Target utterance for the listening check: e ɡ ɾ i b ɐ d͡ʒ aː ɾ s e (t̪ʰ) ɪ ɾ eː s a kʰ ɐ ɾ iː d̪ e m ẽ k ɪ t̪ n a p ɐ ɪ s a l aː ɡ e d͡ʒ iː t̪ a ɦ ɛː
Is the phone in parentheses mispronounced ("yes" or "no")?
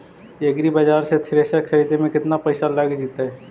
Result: no